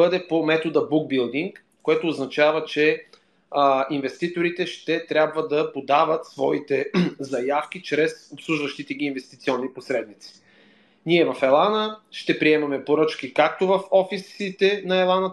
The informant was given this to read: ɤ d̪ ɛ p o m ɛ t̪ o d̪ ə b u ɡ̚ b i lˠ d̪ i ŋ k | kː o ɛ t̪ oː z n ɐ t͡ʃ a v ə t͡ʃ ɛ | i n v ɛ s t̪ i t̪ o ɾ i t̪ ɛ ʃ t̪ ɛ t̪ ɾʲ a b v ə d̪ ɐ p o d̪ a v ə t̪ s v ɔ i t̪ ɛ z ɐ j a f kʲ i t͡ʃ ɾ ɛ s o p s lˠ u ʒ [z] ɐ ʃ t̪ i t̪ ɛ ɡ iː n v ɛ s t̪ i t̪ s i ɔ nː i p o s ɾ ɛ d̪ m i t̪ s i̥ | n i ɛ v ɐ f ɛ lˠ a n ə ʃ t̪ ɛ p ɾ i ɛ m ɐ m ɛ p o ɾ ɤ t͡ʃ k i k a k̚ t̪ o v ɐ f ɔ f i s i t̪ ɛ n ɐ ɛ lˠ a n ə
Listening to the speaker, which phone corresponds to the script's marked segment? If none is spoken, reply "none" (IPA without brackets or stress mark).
v